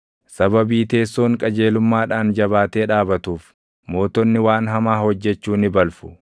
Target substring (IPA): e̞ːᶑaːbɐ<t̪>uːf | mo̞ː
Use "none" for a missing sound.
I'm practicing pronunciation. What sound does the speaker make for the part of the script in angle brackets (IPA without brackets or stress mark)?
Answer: t̪